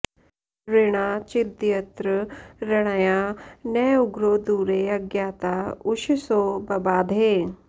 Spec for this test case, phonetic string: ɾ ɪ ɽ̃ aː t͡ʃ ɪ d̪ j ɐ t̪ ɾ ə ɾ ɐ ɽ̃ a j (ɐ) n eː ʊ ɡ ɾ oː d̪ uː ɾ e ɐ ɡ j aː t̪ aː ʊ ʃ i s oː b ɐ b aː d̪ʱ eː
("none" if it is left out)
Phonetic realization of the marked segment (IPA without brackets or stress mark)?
a